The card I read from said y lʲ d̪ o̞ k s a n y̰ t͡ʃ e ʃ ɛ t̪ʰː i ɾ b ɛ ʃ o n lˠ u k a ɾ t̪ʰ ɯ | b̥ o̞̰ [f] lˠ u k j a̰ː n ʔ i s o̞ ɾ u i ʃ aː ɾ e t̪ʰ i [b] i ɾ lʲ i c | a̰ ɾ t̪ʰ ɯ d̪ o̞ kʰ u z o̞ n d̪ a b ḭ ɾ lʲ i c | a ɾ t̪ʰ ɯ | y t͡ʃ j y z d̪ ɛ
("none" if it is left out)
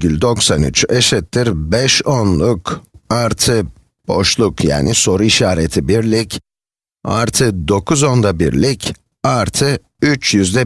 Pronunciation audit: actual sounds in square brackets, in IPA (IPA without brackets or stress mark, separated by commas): ʃ, b